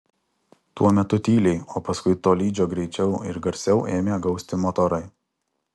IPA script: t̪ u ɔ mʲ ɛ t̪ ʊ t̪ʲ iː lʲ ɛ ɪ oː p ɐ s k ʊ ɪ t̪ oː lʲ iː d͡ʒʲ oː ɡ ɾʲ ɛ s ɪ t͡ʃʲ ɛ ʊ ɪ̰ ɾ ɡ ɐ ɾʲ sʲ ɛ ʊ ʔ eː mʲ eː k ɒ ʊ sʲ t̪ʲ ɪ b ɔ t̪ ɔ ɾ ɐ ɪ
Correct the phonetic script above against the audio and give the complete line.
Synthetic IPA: t̪ u ɔ mʲ ɛ t̪ ʊ t̪ʲ iː lʲ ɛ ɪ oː p ɐ s k ʊ ɪ t̪ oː lʲ iː d͡ʒʲ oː ɡ ɾʲ ɛ ɪ t͡ʃʲ ɛ ʊ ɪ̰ ɾ ɡ ɐ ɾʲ sʲ ɛ ʊ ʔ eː mʲ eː ɡ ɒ ʊ sʲ t̪ʲ ɪ m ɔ t̪ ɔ ɾ ɐ ɪ